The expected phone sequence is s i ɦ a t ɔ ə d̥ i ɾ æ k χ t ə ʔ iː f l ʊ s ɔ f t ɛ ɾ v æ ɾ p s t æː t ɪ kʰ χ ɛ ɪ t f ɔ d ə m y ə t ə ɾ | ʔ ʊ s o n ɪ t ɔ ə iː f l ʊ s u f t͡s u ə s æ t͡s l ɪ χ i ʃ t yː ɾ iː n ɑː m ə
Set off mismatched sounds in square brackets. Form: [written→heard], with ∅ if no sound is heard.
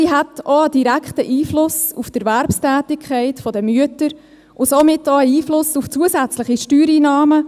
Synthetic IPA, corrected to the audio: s i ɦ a t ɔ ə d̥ i ɾ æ k χ t ə ʔ iː f l ʊ s [ɔ→u] f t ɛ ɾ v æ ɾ p s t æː t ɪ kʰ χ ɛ ɪ t f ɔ d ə m y ə t ə ɾ | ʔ ʊ s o [n→m] ɪ t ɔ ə iː f l ʊ s u f t͡s u ə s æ t͡s l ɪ χ i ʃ t yː ɾ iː n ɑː m ə